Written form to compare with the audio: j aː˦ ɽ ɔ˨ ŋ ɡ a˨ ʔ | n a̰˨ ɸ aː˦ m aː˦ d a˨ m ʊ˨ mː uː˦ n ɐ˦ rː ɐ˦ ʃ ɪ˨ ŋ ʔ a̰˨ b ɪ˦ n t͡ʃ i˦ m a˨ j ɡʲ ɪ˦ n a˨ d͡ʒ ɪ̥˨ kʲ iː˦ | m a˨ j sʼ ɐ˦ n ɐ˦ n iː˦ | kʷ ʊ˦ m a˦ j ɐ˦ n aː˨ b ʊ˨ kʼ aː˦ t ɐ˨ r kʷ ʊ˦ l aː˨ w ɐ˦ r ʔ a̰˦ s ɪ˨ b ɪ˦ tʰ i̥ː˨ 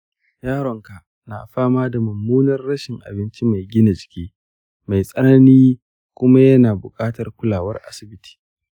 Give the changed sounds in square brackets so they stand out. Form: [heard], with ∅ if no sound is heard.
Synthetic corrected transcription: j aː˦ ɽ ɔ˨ ŋ [k] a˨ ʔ | n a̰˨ ɸ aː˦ m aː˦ d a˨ m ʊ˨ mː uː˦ n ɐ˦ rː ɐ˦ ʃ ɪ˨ ŋ ʔ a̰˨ b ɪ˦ n t͡ʃ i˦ m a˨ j ɡʲ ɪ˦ n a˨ d͡ʒ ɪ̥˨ kʲ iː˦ | m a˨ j sʼ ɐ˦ n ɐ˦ n iː˦ | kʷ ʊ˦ m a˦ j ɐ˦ n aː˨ b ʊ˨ kʼ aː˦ t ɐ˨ r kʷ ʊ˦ l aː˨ w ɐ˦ r ʔ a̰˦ s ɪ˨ b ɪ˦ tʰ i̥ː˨

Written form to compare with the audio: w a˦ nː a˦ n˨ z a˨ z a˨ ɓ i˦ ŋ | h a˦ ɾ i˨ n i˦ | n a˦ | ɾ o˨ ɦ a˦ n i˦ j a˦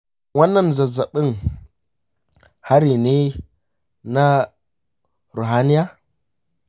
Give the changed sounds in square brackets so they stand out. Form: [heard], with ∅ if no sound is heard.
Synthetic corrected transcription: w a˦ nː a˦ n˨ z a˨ z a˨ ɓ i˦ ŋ | h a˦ ɾ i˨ n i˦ | n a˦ | ɾ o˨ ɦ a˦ n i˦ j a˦

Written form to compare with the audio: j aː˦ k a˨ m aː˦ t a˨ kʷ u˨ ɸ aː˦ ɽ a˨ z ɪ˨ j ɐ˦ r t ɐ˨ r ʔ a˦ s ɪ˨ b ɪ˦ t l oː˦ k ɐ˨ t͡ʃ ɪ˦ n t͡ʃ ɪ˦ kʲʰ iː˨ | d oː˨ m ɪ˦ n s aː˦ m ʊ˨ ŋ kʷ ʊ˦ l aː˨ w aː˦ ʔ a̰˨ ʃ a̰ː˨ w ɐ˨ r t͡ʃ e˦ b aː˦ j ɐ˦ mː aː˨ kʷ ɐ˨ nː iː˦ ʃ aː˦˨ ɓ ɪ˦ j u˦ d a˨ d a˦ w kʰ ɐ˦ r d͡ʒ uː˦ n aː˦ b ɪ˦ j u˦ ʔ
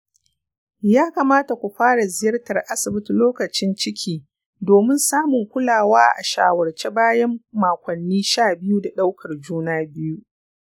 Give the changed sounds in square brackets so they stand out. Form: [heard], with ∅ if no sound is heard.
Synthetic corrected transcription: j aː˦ k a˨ m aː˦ t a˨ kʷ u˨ ɸ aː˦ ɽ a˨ z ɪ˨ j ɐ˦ r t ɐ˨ r ʔ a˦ s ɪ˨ b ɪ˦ t l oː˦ k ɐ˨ t͡ʃ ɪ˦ n t͡ʃ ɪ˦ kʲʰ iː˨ | d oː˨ m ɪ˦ n s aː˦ m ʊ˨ ŋ kʷ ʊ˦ l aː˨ w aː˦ ʔ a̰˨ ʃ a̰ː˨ w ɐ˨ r t͡ʃ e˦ b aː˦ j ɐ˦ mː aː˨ kʷ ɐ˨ nː iː˦ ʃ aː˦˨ [b] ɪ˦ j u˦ d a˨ [ɗ] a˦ w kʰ [ɐ˨] r d͡ʒ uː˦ n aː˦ b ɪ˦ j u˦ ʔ

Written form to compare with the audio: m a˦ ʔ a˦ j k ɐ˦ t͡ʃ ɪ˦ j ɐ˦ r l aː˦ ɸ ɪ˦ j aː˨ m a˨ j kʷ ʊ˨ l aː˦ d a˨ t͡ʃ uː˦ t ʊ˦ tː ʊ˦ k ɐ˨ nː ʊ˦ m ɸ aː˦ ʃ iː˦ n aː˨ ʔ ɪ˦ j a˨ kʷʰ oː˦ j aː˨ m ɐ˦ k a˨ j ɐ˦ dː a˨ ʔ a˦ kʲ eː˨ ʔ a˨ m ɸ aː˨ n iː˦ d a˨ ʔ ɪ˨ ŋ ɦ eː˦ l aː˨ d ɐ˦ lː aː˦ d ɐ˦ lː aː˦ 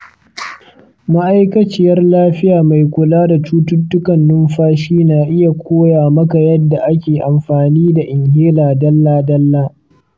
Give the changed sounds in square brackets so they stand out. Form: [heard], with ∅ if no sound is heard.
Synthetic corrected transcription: m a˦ ʔ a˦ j k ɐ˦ t͡ʃ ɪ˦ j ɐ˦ r l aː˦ ɸ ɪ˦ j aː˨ m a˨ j kʷ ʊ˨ l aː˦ d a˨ t͡ʃ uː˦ t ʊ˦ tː ʊ˦ k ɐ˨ nː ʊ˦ m ɸ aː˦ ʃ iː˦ n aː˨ ʔ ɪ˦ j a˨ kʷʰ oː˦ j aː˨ m ɐ˦ k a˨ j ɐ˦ dː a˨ ʔ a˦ kʲ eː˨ ʔ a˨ m ɸ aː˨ n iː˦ d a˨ ʔ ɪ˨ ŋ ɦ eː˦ l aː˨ d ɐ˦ lː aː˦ d ɐ˦ lː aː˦

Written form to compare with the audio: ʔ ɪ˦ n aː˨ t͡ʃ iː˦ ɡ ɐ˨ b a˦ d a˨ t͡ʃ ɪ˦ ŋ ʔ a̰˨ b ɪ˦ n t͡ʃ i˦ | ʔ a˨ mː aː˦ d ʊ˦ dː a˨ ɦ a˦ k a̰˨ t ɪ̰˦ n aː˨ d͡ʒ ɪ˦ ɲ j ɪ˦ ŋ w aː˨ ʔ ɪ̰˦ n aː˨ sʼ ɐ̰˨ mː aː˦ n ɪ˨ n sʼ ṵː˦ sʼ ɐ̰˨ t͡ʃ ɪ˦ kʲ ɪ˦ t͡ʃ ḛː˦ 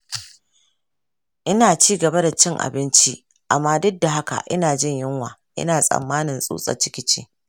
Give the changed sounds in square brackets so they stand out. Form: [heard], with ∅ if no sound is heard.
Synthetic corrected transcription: ʔ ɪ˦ n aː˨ t͡ʃ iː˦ ɡ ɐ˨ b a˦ d a˨ t͡ʃ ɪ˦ ŋ ʔ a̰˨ b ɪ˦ n t͡ʃ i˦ | ʔ a˨ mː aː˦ d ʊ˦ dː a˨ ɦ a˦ k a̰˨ [ʔ] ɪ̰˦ n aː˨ d͡ʒ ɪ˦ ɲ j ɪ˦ ŋ w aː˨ ʔ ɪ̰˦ n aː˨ sʼ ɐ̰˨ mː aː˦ n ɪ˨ n sʼ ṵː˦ sʼ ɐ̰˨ t͡ʃ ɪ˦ kʲ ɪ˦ t͡ʃ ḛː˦

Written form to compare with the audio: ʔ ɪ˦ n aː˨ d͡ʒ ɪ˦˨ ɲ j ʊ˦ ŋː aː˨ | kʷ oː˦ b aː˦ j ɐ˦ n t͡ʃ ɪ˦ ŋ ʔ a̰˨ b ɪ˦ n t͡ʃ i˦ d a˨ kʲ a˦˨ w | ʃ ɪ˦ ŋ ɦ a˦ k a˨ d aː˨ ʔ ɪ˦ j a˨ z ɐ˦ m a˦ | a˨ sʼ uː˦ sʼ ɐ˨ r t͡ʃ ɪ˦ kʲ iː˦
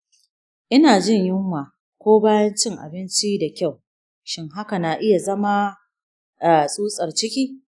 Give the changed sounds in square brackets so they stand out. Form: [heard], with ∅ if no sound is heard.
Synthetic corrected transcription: ʔ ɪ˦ n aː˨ d͡ʒ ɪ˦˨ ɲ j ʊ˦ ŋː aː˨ | kʷ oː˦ b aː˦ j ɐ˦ n t͡ʃ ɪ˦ ŋ ʔ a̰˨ b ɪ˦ n t͡ʃ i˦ d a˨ kʲ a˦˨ w | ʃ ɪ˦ ŋ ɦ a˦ k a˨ [n] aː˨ ʔ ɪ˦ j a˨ z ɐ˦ m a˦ | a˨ sʼ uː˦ sʼ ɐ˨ r t͡ʃ ɪ˦ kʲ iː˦

